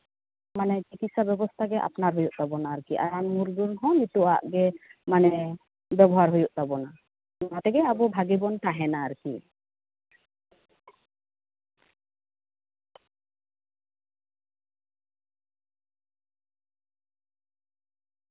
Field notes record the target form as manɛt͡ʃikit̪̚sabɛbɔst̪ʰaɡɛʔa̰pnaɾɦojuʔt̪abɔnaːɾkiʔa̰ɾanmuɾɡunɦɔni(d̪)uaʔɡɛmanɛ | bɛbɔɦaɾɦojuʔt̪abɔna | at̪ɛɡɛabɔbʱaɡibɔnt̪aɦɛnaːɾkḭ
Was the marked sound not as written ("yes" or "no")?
yes